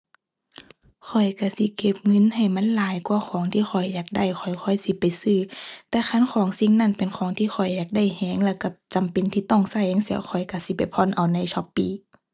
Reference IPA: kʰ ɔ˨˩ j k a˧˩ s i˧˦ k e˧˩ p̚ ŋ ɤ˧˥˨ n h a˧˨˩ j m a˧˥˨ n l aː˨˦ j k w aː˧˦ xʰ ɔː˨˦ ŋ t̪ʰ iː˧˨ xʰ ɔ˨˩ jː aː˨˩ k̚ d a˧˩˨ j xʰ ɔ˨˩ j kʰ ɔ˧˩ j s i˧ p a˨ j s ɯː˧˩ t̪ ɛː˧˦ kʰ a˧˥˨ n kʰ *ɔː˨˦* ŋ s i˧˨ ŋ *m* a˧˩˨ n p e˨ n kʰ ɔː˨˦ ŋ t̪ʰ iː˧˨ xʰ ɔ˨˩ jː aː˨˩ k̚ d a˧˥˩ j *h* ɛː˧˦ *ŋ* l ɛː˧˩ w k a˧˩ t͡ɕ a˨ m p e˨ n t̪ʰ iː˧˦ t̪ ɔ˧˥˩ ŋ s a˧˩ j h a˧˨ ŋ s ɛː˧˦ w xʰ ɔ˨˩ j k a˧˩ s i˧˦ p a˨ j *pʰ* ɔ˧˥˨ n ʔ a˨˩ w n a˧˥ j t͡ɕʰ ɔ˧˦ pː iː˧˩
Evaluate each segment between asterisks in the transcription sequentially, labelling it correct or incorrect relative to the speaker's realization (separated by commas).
correct, incorrect, correct, correct, correct